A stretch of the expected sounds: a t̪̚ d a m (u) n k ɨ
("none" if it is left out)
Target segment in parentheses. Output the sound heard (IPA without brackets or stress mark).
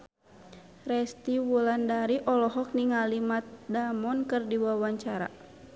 ɔ